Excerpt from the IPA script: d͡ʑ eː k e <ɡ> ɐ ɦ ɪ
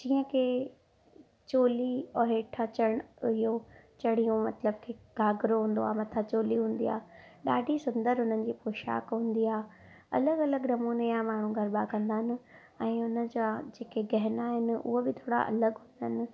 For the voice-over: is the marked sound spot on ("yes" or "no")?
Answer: yes